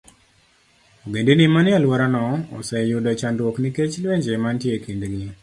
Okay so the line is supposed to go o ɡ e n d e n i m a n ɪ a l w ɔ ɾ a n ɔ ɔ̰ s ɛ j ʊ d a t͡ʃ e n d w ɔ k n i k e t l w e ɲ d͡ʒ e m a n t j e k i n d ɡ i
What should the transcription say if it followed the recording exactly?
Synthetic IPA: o ɡ e n d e n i m a n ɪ a l w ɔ ɾ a n ɔ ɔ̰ s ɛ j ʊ d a t͡ʃ a n d w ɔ k n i k e t͡ʃ l w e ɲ d͡ʒ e m a n t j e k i n d ɡ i